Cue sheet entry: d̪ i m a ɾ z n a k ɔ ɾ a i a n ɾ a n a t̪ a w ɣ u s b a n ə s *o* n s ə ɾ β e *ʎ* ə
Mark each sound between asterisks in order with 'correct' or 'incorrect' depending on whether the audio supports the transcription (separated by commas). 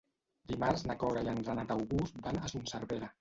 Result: incorrect, incorrect